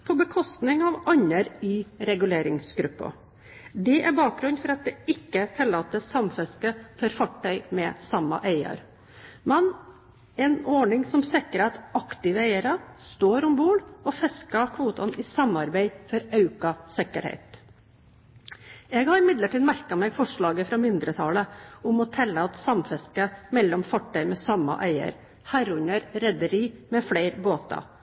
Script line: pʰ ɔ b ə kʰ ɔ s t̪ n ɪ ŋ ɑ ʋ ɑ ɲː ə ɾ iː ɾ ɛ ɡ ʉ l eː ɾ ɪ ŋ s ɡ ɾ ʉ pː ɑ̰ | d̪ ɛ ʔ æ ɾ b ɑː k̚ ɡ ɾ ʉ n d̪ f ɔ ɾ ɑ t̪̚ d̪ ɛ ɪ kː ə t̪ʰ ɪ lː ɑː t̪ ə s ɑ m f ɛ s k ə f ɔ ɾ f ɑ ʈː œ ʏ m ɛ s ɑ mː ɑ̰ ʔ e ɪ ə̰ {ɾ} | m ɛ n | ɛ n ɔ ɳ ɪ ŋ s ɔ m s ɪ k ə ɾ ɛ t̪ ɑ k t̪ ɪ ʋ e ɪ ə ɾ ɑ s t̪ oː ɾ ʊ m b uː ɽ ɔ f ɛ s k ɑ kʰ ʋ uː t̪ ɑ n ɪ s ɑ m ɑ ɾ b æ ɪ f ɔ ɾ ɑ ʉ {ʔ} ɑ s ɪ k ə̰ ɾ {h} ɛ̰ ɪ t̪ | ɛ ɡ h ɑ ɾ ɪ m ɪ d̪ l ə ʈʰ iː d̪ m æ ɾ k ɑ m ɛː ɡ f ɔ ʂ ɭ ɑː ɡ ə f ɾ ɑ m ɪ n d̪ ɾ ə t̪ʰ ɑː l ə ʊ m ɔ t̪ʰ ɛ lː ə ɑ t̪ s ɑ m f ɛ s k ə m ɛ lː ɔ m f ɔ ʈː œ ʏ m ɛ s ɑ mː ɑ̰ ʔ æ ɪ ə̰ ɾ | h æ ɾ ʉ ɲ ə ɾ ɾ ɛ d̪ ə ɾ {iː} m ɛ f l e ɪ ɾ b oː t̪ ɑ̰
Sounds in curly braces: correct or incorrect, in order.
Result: correct, incorrect, correct, correct

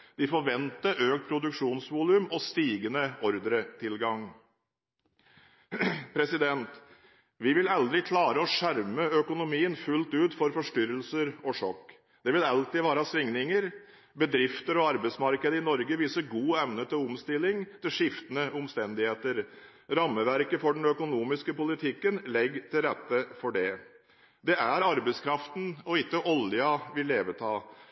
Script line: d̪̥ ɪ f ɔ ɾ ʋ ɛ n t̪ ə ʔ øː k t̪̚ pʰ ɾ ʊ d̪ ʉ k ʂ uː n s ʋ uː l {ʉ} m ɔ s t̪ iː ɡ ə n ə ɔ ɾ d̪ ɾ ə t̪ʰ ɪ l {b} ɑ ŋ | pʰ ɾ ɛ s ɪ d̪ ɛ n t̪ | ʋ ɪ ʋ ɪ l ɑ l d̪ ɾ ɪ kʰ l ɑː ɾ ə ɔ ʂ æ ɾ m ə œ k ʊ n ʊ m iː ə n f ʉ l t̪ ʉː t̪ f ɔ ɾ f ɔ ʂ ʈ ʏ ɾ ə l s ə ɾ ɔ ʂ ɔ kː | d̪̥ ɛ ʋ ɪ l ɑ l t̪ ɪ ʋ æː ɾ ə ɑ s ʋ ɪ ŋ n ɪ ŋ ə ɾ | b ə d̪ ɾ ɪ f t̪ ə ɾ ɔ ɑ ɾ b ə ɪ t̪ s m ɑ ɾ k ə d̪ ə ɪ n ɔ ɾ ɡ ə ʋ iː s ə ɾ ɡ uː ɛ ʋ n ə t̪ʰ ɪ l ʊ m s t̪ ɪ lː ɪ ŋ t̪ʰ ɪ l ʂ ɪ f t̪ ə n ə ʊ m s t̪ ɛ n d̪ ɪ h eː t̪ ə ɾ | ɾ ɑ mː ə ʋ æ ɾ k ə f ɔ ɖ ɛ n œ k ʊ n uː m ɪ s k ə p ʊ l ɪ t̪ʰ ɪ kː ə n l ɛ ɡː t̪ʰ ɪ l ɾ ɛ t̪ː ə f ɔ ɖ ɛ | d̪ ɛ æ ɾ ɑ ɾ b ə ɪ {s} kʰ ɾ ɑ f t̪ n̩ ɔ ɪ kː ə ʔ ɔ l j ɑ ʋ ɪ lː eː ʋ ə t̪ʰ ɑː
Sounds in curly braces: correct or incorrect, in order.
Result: correct, incorrect, correct

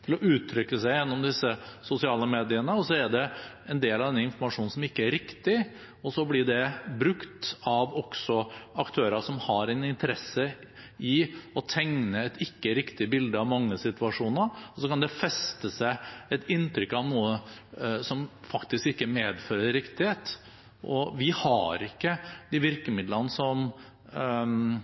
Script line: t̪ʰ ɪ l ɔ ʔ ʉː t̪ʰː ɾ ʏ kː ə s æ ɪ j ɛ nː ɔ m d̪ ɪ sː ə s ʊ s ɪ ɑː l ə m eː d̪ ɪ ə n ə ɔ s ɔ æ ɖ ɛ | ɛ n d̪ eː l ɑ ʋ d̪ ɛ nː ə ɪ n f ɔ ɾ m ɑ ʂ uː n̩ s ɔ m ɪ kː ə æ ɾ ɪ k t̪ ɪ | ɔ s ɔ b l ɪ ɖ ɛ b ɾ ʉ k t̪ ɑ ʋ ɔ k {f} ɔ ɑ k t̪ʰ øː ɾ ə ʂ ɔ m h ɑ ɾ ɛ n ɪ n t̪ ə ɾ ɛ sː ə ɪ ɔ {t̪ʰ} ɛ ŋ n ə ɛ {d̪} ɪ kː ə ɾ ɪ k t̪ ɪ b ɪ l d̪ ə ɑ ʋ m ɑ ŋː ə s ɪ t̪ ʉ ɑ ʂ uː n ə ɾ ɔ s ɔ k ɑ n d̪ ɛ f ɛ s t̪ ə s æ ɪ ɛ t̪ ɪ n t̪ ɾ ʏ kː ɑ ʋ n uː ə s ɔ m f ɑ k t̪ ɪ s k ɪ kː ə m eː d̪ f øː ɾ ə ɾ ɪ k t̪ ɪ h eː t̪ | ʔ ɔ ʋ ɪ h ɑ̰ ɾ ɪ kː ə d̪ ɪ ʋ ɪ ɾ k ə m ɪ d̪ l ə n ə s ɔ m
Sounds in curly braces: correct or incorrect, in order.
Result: incorrect, correct, incorrect

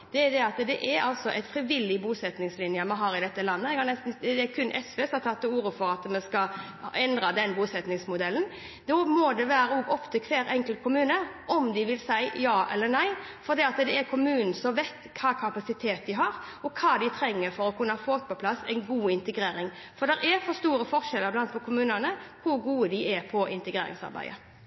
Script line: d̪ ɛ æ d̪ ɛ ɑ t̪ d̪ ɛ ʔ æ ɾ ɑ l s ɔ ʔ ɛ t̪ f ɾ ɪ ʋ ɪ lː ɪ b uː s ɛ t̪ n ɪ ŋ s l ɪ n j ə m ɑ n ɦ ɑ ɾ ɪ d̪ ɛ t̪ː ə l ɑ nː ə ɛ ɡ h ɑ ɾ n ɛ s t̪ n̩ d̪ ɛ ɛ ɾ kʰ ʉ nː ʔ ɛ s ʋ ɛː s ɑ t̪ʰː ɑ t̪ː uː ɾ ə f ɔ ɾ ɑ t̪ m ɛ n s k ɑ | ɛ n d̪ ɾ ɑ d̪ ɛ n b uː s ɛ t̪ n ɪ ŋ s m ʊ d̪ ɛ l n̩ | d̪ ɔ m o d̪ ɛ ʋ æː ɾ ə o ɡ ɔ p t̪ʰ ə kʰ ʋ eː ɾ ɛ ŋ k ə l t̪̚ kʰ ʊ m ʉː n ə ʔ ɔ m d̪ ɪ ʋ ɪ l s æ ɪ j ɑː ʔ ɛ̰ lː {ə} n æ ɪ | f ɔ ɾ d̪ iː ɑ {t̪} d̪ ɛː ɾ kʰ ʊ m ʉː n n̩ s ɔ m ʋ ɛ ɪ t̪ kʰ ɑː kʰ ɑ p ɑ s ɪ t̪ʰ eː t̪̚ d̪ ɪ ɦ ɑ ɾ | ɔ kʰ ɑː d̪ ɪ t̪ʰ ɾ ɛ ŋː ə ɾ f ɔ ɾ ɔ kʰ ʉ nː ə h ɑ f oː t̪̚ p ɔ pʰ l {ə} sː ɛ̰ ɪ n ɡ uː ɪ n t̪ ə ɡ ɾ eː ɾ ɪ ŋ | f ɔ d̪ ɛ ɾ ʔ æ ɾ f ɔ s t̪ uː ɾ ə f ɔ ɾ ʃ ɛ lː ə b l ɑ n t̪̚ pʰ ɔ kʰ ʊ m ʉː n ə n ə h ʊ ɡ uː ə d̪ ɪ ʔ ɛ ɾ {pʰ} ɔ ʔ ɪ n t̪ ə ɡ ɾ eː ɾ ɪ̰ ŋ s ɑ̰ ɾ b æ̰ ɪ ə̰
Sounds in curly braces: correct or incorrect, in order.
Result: correct, correct, incorrect, correct

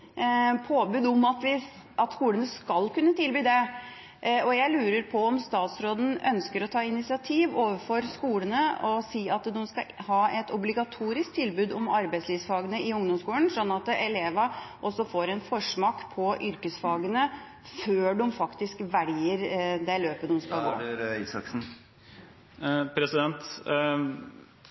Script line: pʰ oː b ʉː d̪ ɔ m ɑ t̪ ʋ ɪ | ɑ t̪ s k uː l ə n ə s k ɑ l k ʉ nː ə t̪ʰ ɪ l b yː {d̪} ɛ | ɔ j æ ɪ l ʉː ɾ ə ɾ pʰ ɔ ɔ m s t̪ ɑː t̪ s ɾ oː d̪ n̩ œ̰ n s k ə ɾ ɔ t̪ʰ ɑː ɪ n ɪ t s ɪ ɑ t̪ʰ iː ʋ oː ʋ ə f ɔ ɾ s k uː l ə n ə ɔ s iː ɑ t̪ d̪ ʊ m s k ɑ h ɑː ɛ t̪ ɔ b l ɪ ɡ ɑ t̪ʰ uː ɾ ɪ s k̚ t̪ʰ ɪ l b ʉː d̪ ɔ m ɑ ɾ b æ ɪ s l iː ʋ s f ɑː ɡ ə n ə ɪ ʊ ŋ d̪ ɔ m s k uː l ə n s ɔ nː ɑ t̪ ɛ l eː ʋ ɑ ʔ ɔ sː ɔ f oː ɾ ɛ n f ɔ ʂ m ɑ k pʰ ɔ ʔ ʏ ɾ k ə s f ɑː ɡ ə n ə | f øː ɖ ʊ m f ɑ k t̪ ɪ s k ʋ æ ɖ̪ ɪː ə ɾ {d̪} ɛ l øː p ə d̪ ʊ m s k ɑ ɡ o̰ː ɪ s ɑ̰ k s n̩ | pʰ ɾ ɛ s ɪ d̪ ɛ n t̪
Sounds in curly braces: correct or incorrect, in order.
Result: correct, correct

